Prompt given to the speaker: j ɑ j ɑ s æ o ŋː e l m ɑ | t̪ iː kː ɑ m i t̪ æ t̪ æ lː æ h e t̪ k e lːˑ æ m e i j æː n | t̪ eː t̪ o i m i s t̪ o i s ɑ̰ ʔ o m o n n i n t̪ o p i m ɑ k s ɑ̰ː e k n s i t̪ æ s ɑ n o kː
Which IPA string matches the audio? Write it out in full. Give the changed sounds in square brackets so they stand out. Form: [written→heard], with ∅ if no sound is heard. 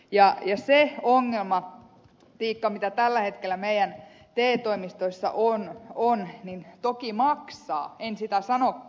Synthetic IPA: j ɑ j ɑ s [æ→e] o ŋː e l m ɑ | t̪ iː kː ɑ m i t̪ æ t̪ æ lː æ h e t̪ k e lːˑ æ m e i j [æː→æ] n | t̪ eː t̪ o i m i s t̪ o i [s→sː] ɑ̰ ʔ o [m→n] o n n i n t̪ o [p→k] i m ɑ k s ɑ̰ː e [k→∅] n s i t̪ æ s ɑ n o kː

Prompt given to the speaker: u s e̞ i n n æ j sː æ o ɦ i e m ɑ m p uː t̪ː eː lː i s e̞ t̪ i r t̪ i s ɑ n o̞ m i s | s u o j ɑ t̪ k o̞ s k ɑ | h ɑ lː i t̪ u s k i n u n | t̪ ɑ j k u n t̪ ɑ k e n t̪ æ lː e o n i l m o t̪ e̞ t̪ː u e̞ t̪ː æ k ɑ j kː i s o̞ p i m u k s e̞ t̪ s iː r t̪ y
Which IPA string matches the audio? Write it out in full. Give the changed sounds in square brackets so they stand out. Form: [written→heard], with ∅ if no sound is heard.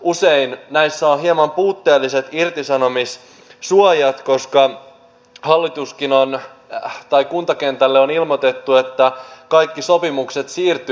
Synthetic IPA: u s e̞ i n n æ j sː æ o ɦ i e m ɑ m p uː t̪ː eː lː i s e̞ t̪ i r t̪ i s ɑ n o̞ m i s | s u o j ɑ t̪ k o̞ s k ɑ | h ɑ lː i t̪ u s k i n [u→o] n | t̪ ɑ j k u n t̪ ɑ k e n t̪ æ lː e o n i l m o t̪ e̞ t̪ː u e̞ t̪ː æ k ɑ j kː i s o̞ p i m u k s e̞ t̪ s iː r t̪ y

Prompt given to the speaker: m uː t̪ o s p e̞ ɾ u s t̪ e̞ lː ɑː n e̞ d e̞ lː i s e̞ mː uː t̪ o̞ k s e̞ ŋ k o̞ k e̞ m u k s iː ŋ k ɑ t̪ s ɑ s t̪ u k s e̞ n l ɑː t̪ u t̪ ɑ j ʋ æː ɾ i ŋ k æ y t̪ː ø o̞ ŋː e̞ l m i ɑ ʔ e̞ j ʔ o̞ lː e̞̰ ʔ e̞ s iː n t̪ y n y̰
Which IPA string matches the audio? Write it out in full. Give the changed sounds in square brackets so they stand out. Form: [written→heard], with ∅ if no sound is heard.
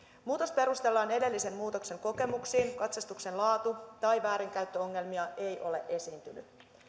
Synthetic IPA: m uː t̪ o s p e̞ ɾ u s t̪ e̞ lː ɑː n e̞ d e̞ lː i s e̞ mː uː t̪ o̞ k s e̞ ŋ k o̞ k e̞ m u k s iː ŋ k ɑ t̪ s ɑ s t̪ u k s e̞ n l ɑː t̪ u t̪ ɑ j ʋ æː ɾ i ŋ k æ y t̪ː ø o̞ ŋː e̞ l m i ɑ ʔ e̞ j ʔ o̞ [lː→l] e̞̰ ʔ e̞ s iː n t̪ y n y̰

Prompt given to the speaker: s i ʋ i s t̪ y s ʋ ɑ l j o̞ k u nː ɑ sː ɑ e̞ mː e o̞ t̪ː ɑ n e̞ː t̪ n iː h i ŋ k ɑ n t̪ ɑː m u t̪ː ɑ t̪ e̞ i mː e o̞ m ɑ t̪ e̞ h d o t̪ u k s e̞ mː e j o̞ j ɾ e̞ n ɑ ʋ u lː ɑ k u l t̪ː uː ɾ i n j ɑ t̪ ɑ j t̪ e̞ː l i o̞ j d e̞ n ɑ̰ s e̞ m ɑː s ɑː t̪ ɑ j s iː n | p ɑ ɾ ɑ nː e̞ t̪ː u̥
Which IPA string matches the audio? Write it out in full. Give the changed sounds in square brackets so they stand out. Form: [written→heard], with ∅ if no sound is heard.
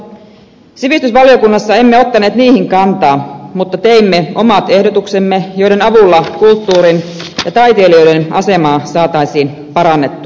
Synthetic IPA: s i ʋ i s t̪ y s ʋ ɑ l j o̞ k u nː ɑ sː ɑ e̞ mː e o̞ t̪ː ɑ n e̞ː t̪ n iː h i ŋ k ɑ n t̪ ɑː m u t̪ː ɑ t̪ e̞ i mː e o̞ m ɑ t̪ e̞ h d o t̪ u k s e̞ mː e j o̞ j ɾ e̞ n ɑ ʋ u lː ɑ k u l t̪ː uː ɾ i n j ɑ t̪ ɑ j t̪ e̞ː l i o̞ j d e̞ n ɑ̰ s e̞ m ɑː s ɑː t̪ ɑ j s iː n | p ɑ ɾ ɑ nː e̞ t̪ː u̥

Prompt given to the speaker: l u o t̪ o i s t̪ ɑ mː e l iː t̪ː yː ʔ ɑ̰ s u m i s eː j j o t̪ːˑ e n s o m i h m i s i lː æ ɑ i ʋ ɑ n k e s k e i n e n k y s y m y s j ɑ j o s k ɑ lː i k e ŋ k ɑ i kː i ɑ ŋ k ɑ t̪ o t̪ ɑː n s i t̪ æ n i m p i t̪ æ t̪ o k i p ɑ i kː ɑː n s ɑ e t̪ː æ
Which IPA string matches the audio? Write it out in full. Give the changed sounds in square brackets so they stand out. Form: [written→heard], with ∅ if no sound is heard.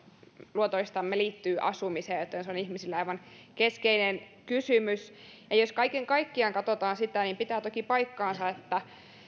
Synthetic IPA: l u o t̪ o i s t̪ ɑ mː e l iː t̪ː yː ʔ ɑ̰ s u m i s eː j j o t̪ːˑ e n s o [m→n] i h m i s i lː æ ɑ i ʋ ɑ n k e s k e i n e n k y s y m y s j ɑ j o s k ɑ [lː→∅] i k e ŋ k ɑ i kː i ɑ ŋ k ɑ t̪ o t̪ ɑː n s i t̪ æ n i m p i t̪ [æ→æː] t̪ o k i p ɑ i kː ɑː n s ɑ e t̪ː æ

